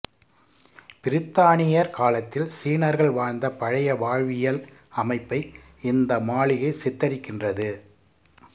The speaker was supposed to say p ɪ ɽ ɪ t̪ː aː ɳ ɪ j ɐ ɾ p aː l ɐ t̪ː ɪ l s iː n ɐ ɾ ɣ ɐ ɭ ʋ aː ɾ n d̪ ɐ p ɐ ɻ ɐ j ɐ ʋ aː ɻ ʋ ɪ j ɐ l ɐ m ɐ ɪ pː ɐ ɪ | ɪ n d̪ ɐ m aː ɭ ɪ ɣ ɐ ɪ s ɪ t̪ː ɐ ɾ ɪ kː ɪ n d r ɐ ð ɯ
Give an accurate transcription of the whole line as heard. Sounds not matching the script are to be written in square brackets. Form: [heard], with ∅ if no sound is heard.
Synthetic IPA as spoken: p ɪ [ɾ] ɪ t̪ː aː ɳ ɪ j ɐ ɾ [k] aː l ɐ t̪ː ɪ l s iː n ɐ ɾ ɣ ɐ ɭ ʋ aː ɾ n d̪ ɐ p ɐ ɻ ɐ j ɐ ʋ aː ɻ ʋ ɪ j ɐ l ɐ m ɐ ɪ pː ɐ ɪ | ɪ n d̪ ɐ m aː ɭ ɪ ɣ ɐ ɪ s ɪ t̪ː ɐ ɾ ɪ kː ɪ n d r ɐ ð ɯ